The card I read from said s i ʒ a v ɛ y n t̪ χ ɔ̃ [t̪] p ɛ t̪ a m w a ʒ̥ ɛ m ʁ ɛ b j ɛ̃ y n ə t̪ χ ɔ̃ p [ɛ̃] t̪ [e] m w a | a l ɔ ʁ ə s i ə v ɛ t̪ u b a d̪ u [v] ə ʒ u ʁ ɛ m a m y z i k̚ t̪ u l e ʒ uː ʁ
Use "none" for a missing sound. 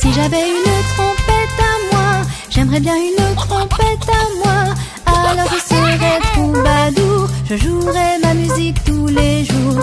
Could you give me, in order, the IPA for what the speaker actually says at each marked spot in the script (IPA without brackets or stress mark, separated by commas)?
none, ɛ, a, ʒ